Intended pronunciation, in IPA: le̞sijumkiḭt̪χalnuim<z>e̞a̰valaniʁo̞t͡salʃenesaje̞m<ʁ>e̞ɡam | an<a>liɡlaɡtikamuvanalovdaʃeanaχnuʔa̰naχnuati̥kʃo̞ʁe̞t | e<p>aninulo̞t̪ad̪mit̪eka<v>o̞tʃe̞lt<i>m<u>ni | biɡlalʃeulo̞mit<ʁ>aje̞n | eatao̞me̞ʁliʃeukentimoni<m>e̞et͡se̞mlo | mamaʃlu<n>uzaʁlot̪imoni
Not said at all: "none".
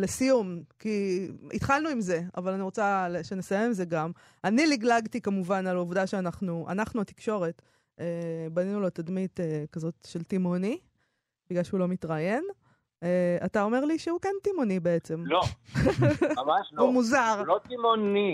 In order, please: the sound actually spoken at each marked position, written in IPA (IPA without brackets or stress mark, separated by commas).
z, z, i, b, z, i, o, ʁ, b, m